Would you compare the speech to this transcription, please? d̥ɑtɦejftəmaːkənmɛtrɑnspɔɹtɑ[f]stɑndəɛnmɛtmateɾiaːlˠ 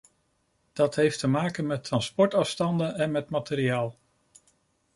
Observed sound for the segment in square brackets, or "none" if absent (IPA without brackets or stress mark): f